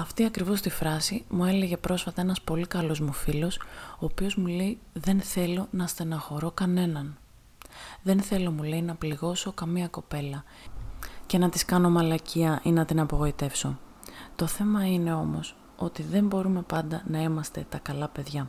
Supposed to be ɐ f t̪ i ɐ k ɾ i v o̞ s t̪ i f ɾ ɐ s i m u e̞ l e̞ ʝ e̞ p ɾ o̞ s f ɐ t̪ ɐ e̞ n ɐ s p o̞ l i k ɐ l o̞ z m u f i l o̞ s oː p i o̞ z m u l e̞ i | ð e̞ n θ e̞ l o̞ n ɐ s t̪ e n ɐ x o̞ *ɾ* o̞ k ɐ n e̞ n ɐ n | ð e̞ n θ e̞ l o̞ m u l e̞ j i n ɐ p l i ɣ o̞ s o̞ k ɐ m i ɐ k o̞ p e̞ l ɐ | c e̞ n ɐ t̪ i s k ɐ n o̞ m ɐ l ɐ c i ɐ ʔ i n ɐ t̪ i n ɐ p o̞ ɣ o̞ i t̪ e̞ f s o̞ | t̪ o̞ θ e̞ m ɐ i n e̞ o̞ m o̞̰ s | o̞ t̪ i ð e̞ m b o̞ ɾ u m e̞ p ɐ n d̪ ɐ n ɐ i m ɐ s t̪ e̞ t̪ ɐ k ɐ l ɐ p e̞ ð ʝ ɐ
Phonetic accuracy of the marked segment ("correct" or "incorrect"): correct